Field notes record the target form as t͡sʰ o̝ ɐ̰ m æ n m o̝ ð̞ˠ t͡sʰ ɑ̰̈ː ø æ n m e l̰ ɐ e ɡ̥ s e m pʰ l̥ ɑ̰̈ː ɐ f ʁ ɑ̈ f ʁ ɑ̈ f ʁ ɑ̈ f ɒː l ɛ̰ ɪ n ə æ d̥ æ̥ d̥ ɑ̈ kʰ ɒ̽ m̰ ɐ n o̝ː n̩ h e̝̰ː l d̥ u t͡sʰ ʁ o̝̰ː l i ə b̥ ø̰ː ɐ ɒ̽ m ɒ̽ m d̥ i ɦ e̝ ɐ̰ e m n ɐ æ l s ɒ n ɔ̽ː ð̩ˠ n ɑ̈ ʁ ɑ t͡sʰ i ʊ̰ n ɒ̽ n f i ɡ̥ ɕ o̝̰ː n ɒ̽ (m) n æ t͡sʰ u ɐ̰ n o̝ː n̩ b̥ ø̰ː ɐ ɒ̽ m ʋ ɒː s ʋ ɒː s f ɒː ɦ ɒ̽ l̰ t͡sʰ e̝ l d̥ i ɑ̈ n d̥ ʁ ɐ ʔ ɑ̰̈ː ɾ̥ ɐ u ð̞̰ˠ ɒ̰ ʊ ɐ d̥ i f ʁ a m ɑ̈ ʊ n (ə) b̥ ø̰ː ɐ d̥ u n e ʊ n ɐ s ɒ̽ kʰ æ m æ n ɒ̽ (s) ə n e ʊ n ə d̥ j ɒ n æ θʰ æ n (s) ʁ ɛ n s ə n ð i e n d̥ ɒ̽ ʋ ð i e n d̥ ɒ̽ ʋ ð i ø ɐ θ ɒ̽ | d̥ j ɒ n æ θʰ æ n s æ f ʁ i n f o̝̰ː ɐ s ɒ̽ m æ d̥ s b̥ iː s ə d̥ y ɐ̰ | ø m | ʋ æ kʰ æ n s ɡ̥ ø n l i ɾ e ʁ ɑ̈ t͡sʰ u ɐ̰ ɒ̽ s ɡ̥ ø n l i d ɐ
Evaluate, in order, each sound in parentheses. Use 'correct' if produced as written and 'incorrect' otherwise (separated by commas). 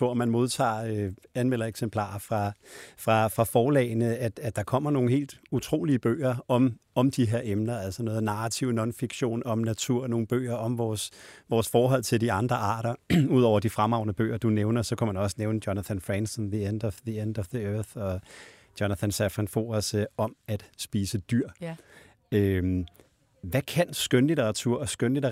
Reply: correct, correct, correct, incorrect